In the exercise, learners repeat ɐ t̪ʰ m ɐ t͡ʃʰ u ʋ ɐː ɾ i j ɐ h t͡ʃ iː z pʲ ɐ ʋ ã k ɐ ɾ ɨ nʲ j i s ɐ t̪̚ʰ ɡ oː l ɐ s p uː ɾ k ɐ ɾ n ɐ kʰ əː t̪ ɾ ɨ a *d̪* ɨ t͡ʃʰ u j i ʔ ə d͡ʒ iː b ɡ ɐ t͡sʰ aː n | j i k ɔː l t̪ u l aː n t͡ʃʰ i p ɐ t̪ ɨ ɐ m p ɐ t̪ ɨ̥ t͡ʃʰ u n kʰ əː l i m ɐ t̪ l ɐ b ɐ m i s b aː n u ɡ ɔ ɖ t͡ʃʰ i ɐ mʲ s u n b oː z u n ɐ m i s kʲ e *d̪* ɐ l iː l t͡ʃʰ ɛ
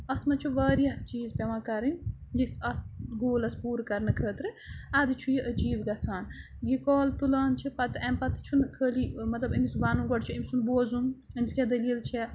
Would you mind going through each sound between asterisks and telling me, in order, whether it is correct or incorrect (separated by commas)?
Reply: correct, correct